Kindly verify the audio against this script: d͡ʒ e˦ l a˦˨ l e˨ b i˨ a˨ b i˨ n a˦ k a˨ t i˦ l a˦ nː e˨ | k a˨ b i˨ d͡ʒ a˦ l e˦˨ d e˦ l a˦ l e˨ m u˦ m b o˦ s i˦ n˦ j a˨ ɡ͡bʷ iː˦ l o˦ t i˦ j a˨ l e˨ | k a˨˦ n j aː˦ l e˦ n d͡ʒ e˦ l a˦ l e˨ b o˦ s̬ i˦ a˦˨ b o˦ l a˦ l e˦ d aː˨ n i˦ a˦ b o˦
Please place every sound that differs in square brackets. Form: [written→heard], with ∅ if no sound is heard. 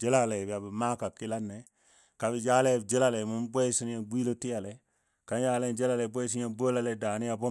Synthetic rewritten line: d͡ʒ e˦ l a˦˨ l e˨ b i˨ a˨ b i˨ [n→m] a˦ k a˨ [t→k] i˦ l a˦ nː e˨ | k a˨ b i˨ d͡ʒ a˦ l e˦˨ [d→d͡ʒ] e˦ l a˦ l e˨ m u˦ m b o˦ s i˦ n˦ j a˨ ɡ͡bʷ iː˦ l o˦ t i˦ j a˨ l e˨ | k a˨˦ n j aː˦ l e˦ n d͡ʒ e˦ l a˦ l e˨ b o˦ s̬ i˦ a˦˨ b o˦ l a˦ l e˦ d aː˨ n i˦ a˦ b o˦

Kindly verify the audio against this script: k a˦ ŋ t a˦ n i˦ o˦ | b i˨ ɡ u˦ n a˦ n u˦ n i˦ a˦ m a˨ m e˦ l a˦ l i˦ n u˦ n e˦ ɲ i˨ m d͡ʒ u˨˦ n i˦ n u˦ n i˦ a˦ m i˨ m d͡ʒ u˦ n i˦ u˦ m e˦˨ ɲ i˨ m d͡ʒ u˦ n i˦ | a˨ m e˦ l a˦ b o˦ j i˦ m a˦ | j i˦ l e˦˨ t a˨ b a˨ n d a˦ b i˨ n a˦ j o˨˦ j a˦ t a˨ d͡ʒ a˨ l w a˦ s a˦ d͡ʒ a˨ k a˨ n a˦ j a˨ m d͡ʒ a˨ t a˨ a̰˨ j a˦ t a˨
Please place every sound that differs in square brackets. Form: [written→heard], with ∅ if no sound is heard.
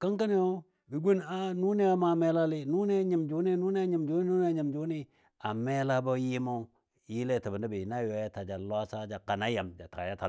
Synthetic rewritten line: k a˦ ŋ [t→k] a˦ n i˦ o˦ | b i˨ ɡ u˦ n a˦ n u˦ n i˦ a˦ m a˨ m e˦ l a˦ l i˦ n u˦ n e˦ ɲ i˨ m d͡ʒ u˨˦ n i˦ n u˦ n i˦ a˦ [m→ɲ] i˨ m d͡ʒ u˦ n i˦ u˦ [m→n] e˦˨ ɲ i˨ m d͡ʒ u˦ n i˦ | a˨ m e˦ l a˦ b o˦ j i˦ m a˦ | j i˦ l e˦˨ t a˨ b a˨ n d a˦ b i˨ n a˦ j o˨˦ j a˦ t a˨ d͡ʒ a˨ l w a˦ s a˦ d͡ʒ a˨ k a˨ n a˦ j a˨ m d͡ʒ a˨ t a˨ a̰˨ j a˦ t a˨

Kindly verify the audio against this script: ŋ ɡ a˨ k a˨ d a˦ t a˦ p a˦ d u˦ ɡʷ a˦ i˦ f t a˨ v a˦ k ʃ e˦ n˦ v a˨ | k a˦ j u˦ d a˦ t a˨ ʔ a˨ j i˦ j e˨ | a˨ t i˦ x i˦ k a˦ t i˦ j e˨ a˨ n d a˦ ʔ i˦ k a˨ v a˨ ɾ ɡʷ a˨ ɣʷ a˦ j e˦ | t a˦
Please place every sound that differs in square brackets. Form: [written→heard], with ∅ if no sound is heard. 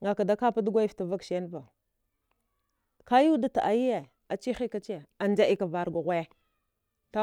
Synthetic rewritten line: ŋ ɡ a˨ k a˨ d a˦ [t→k] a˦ p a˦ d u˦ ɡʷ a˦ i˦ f t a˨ v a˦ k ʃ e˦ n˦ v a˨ | k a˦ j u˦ d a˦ t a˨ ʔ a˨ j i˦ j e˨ | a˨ [t→t͡ʃ] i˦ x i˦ k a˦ [t→t͡ʃ] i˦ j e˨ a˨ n [d→d͡ʒ] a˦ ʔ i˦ k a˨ v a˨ ɾ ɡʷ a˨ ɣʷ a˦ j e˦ | t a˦

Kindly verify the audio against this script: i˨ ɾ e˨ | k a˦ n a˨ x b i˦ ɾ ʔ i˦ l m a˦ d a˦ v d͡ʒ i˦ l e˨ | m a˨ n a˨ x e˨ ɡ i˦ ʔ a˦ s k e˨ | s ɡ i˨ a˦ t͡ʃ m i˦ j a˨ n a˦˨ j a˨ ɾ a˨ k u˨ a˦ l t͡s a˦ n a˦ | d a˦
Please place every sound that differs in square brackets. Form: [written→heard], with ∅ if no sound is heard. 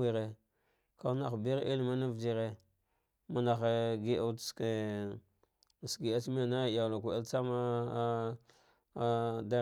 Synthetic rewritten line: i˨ ɾ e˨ | k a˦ n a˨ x b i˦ ɾ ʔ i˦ l m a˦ [d→n] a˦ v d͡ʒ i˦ [l→ɾ] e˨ | m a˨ n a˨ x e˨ ɡ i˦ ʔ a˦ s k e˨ | s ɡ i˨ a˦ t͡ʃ m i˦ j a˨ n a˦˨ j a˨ [ɾ→l] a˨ k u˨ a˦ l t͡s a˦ [n→m] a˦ | d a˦

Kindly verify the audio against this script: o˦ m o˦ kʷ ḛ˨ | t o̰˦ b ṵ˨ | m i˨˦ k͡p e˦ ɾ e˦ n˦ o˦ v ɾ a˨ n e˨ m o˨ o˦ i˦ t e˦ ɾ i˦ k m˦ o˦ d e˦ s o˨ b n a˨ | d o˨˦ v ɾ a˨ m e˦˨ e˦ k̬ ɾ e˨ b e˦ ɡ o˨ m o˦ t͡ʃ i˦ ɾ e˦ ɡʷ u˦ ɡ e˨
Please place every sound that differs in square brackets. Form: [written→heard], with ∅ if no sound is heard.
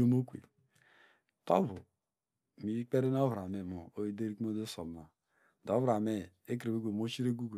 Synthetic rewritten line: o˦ m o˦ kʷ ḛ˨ | t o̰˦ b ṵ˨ | m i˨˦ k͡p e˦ ɾ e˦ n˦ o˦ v ɾ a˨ [n→m] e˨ m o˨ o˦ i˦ [t→d] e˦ ɾ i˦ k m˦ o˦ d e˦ s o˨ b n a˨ | d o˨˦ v ɾ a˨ m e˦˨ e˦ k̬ ɾ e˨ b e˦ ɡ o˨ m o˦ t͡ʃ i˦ ɾ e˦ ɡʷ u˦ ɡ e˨

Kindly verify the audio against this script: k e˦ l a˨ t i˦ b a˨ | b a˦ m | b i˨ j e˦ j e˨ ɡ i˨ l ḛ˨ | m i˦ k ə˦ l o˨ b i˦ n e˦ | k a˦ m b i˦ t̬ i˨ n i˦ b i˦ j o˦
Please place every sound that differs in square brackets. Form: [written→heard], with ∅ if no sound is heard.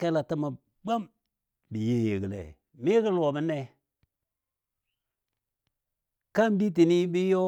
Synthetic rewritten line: k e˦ l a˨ t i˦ [b→m] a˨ | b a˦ m | b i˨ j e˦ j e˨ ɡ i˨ l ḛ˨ | m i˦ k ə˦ l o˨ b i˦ n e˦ | k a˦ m b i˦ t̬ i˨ n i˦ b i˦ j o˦

